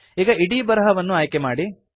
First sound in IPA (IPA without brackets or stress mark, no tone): iː